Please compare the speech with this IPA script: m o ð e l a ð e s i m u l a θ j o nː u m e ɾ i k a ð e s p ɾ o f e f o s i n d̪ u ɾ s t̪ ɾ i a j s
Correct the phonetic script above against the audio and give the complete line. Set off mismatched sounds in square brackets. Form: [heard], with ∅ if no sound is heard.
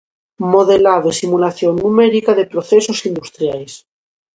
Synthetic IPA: m o ð e l a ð e s i m u l a θ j o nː u m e ɾ i k a ð e [∅] p ɾ o [θ] e [s] o s i n d̪ u [∅] s t̪ ɾ [j] a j s